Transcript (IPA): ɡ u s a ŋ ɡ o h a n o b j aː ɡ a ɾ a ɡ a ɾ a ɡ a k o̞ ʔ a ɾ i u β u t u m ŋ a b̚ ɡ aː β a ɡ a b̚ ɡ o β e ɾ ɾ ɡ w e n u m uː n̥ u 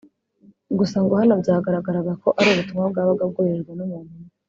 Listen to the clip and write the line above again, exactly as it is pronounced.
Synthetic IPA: ɡ u s a ŋ ɡ o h a n o b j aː ɡ a ɾ a ɡ a ɾ a ɡ a k o̞ ʔ a ɾ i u β u t u m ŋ a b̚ ɡ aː β a ɡ a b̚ ɡ o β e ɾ ɾ ɡ w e n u m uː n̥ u